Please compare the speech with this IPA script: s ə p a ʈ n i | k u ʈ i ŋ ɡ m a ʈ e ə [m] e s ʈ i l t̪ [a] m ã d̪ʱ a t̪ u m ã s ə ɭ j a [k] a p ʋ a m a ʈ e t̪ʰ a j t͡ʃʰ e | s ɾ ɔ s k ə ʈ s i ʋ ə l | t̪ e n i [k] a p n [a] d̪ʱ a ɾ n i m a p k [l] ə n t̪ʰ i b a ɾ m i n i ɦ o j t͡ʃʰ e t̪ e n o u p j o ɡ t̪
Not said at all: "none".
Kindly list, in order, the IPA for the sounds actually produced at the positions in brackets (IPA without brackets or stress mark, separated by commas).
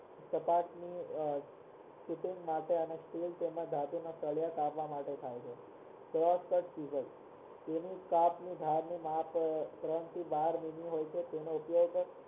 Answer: n, e, k, k, i, ɾ